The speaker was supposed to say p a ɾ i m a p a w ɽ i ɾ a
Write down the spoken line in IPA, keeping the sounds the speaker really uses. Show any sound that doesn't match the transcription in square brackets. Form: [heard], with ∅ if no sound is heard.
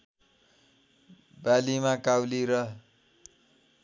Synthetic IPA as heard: [b] a [l] i m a [k] a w [l] i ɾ [ʌ]